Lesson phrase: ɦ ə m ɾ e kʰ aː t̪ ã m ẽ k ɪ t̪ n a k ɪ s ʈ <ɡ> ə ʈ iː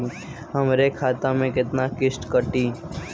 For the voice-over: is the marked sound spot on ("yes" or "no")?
no